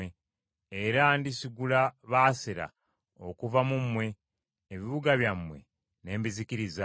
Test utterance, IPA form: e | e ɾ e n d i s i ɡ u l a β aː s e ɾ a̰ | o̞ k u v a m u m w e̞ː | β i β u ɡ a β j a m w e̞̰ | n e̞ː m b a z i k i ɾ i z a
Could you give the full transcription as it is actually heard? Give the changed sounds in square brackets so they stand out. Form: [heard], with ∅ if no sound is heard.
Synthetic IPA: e | e ɾ [a] n d i s i ɡ u l a β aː s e ɾ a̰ | o̞ k u v a m u m w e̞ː | β i β u ɡ a β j a m w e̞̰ | n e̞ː m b [i] z i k i ɾ i z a